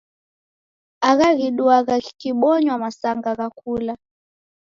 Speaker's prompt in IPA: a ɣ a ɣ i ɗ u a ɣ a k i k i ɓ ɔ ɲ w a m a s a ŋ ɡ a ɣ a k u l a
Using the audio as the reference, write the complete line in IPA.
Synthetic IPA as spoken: a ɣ a ɣ i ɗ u a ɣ a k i k i ɓ ɔ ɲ w a m a s a ŋ ɡ a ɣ a k u l a